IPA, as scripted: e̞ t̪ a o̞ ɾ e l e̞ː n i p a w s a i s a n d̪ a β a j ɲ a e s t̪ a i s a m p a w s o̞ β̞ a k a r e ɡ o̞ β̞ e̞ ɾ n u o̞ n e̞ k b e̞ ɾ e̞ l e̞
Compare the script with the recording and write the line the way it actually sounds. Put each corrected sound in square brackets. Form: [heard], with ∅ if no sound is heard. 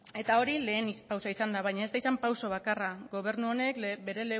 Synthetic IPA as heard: e̞ t̪ a o̞ ɾ [i] l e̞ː n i p a w s a i s a n d̪ a β a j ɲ a e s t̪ a i s a m p a w s o̞ β̞ a k a r [a] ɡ o̞ β̞ e̞ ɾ n u o̞ n e̞ k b e̞ ɾ e̞ l e̞